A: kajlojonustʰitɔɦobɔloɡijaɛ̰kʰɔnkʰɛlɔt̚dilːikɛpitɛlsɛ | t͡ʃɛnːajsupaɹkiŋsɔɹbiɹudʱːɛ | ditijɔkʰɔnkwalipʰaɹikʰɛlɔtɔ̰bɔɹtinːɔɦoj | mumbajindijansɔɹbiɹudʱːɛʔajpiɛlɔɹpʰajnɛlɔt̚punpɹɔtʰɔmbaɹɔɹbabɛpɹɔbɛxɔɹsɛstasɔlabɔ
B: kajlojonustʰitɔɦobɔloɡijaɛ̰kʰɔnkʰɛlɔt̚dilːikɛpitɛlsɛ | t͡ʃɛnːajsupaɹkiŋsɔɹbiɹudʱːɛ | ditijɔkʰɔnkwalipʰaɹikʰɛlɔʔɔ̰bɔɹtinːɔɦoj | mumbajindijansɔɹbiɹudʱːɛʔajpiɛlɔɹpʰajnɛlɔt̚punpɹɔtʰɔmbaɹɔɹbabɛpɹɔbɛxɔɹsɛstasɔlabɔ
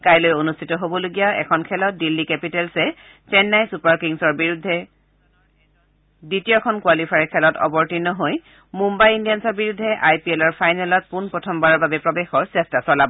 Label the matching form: A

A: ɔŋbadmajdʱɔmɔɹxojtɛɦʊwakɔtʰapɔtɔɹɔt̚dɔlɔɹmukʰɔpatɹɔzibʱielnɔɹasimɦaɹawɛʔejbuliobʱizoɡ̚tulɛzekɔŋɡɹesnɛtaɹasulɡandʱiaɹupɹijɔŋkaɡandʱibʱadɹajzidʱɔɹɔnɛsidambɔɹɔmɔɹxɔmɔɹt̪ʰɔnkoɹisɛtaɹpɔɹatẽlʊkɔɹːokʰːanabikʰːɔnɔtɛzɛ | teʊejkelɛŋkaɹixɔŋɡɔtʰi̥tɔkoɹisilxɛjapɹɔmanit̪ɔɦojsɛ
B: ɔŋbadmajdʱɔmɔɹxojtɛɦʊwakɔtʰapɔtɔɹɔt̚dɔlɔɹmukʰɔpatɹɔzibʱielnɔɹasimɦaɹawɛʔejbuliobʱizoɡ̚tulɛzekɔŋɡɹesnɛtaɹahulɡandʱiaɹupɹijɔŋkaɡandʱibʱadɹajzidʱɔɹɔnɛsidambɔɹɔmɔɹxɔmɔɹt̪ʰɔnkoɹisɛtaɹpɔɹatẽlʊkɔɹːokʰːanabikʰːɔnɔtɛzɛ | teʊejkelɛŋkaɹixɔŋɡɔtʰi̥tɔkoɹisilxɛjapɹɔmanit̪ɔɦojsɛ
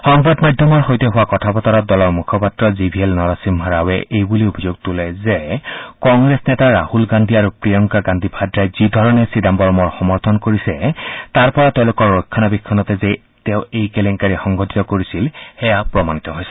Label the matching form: B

